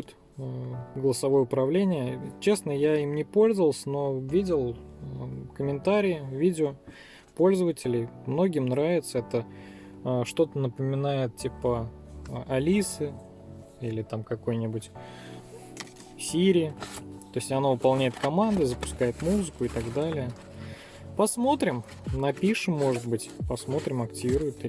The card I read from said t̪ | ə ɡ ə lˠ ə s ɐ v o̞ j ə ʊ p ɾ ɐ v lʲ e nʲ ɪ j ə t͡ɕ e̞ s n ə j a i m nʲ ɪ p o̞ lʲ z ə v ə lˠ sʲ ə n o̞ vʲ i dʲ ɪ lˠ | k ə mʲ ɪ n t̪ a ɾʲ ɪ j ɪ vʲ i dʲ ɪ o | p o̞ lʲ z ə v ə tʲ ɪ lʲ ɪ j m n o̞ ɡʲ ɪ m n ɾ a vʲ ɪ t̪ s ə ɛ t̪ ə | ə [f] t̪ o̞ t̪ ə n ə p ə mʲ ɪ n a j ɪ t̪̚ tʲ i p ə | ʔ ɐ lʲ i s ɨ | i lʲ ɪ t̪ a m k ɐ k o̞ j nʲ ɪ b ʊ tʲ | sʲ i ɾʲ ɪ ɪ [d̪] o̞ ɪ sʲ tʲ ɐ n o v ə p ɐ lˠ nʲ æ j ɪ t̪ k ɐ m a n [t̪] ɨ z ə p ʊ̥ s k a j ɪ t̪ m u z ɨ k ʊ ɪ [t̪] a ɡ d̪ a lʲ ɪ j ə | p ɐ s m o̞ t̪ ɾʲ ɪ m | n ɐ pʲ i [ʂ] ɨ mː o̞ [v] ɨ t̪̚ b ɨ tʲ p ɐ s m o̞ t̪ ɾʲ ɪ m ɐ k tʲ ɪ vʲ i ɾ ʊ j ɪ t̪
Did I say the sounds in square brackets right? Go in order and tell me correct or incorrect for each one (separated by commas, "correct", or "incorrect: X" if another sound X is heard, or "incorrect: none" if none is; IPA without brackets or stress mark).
incorrect: ʂ, incorrect: t̪, incorrect: d̪, correct, correct, incorrect: ʐ